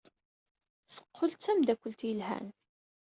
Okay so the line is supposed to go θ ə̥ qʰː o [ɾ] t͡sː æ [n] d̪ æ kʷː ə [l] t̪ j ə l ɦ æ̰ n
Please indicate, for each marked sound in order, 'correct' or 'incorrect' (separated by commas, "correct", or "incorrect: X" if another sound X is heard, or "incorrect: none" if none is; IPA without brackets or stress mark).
incorrect: l, incorrect: m, correct